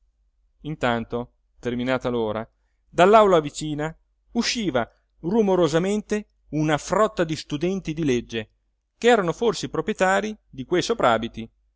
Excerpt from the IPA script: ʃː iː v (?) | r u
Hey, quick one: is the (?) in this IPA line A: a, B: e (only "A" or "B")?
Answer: A